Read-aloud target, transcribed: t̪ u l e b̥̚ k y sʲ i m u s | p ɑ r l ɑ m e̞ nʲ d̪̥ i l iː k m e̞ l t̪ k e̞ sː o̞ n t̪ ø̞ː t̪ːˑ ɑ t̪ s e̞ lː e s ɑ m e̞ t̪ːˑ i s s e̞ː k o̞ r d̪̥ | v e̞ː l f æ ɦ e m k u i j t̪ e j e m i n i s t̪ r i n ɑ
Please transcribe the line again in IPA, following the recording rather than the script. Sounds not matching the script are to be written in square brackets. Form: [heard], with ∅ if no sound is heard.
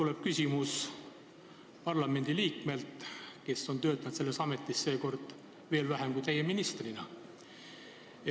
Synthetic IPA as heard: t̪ u l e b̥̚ k y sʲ i m u s | p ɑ r l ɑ m e̞ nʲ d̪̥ i l iː k m e̞ l t̪ k e̞ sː o̞ n t̪ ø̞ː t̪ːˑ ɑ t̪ s e̞ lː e s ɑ m e̞ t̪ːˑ i s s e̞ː k o̞ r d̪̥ | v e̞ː l [v] æ ɦ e m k u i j t̪ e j e m i n i s t̪ r i n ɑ